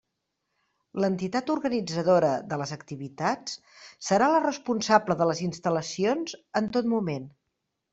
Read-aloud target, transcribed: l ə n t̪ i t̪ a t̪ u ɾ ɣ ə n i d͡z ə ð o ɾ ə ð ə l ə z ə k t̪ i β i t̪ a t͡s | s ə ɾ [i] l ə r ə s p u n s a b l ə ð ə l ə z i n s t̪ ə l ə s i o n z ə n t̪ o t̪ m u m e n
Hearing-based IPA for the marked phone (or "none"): a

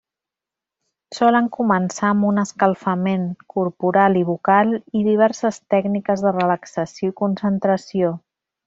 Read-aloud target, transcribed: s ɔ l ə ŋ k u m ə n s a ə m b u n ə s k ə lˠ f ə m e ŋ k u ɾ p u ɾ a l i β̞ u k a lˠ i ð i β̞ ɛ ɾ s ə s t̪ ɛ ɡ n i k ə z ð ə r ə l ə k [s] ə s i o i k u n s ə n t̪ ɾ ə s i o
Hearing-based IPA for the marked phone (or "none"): s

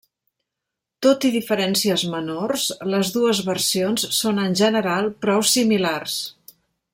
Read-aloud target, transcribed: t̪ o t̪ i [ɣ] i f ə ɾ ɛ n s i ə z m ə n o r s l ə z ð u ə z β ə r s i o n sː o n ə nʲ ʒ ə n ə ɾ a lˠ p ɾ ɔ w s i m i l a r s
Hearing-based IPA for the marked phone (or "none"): ð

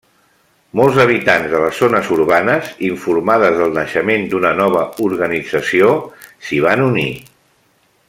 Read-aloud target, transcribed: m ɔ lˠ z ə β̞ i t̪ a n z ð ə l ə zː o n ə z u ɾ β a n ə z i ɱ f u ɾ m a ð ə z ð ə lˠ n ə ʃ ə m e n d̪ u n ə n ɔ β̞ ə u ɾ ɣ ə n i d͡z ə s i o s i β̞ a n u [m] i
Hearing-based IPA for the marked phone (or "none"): n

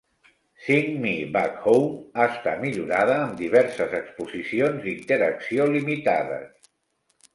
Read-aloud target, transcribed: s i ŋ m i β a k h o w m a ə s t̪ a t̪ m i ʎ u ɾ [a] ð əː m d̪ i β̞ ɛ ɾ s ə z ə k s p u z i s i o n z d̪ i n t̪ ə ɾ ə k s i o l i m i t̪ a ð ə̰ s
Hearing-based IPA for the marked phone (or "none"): a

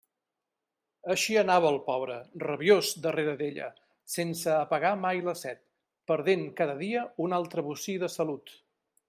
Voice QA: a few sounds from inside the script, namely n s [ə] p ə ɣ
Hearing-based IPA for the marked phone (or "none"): əː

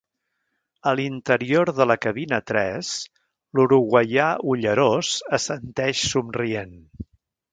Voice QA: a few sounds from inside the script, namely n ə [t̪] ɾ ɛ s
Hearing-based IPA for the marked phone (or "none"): t̪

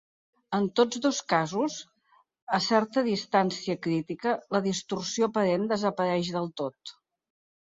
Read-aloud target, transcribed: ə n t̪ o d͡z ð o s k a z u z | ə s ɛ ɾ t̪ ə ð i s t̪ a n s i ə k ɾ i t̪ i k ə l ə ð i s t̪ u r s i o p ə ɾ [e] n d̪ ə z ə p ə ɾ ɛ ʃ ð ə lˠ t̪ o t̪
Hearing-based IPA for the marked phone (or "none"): e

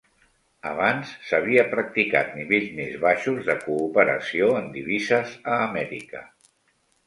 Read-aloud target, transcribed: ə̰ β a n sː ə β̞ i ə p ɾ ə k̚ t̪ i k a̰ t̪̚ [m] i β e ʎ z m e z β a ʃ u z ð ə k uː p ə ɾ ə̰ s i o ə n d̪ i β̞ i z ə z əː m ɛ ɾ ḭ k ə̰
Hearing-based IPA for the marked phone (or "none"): n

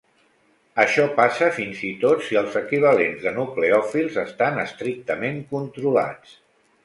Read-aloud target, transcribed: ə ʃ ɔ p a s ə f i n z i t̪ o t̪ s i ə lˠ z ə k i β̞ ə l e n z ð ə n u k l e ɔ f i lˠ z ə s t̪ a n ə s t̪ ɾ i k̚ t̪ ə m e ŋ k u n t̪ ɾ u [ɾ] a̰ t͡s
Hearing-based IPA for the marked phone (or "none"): l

